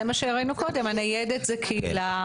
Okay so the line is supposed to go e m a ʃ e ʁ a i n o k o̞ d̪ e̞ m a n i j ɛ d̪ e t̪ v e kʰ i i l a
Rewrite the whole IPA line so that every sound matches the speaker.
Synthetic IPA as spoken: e m a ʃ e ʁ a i n u k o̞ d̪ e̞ m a n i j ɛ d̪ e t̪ z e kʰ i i l a

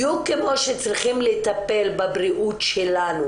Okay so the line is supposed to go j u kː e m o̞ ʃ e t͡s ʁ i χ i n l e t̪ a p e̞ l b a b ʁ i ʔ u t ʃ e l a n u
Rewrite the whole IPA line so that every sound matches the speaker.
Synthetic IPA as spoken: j u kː e m o̞ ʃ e t͡s ʁ i χ i m l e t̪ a p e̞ l b a b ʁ i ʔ u t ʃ e l a n u

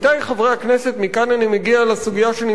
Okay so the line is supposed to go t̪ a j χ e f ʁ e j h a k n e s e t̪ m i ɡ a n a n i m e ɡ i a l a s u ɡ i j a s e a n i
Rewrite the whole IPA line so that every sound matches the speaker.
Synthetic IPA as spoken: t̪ a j χ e v ʁ e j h a k n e s e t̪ m i k a n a n i m e ɡ i a l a s u ɡ i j a ʃ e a n i

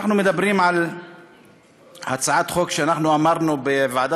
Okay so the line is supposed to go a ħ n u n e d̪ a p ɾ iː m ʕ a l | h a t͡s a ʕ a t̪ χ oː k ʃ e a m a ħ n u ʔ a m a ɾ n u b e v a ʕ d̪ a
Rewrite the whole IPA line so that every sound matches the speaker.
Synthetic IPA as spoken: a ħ n u m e d̪ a b ɾ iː m ʕ a l | h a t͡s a ʕ a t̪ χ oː k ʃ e a n a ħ n u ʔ a m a ɾ n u b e v a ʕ d̪ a

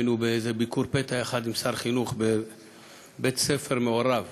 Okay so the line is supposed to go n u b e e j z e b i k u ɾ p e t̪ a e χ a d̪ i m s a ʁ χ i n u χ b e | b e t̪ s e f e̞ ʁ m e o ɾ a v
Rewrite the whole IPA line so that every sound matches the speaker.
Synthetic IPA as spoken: n u b e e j z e b i k u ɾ p e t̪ a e χ a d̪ i m s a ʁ χ i n u χ b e | b e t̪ s e f e̞ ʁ m e o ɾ a v

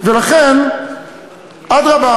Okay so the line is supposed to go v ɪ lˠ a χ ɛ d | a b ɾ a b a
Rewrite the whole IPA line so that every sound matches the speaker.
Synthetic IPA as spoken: v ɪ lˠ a χ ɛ n | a d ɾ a b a

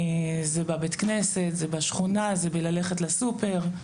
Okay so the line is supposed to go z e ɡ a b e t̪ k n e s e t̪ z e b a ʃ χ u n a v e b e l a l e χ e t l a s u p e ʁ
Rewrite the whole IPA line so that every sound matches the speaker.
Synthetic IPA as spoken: z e b a b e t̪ k n e s e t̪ z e b a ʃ χ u n a z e b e l a l e χ e t l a s u p e ʁ

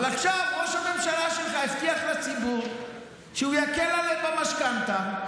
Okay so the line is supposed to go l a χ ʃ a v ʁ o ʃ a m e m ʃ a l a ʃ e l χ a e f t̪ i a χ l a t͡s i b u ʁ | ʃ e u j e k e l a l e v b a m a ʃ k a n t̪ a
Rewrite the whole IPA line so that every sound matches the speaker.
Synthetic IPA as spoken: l a χ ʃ a v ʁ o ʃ a m e m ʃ a l a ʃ e l χ a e f t̪ i a χ l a t͡s i b u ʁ | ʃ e u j a k e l a l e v b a m a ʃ k a n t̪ a

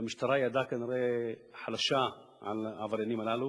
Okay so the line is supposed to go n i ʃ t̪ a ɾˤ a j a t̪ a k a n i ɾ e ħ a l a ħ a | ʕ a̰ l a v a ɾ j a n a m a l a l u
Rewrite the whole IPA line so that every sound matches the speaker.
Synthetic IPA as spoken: m i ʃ t̪ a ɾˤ a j a d̪ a k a n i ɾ e ħ a l a ʃ a | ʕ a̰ l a v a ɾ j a n i m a l a l u

